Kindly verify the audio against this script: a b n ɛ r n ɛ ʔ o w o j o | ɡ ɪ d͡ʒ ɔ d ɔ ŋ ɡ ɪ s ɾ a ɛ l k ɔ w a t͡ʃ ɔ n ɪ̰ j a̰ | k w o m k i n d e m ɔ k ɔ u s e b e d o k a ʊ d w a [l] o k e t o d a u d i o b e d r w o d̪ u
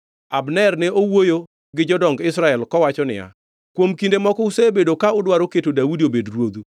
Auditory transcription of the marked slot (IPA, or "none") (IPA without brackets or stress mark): ɾ